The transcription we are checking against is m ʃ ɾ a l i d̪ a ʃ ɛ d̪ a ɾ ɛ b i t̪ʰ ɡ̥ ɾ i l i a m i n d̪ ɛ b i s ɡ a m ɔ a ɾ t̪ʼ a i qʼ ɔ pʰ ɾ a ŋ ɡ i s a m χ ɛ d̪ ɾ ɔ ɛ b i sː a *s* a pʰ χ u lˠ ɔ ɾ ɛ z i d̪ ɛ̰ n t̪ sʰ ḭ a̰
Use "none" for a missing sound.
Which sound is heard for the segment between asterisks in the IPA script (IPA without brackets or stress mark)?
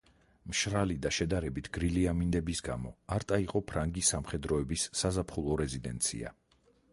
z